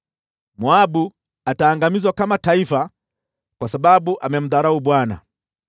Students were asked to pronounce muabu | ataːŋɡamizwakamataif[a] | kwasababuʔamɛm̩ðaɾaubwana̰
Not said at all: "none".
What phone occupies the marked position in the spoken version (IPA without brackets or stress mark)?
a